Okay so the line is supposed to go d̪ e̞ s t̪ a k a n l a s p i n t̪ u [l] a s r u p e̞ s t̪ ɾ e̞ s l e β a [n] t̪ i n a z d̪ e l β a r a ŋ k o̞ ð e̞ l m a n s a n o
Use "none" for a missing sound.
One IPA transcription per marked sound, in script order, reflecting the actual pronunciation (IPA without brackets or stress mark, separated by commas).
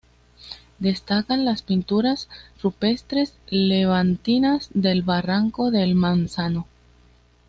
ɾ, n